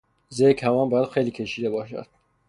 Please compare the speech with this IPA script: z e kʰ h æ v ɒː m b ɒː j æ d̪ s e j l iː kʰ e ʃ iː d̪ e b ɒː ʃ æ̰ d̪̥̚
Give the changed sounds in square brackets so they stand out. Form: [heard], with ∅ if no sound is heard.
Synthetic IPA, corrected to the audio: z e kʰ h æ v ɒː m b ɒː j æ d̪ [x] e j l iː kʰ e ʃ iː d̪ e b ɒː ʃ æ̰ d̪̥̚